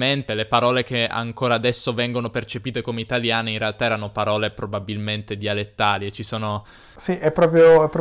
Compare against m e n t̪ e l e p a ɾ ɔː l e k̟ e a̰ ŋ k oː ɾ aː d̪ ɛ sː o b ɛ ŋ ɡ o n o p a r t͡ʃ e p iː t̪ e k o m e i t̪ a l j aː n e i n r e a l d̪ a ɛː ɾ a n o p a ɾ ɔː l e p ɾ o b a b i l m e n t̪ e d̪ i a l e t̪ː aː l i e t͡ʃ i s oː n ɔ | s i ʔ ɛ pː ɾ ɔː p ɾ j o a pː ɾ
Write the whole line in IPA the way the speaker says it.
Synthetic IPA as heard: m e n t̪ e l e p a ɾ ɔː l e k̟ e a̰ ŋ k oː ɾ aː d̪ ɛ sː o v ɛ ŋ ɡ o n o p e r t͡ʃ e p iː t̪ e k o m e i t̪ a l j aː n e i n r e a l t̪ a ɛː ɾ a n o p a ɾ ɔː l e p ɾ o b a b i l m e n t̪ e d̪ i a l e t̪ː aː l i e t͡ʃ i s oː n o | s i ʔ ɛ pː ɾ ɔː p ɾ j o ɛ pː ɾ